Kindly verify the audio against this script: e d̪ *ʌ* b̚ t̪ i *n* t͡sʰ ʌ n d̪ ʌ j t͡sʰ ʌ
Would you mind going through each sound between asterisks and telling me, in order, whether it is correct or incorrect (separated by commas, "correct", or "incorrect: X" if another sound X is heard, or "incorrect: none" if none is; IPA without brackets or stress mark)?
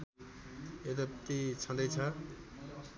correct, incorrect: none